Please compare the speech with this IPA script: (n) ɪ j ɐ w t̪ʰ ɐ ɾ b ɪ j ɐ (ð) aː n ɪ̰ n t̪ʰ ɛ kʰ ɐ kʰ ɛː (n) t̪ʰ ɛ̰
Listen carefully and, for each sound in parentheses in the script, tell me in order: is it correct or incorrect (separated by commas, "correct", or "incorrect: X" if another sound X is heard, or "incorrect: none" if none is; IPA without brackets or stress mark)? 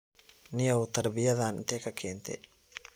correct, correct, correct